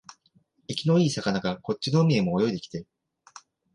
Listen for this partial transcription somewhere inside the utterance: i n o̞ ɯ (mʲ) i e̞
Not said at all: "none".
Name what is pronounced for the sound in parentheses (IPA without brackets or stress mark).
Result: mʲ